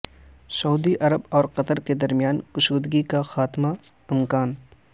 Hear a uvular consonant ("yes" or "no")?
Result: yes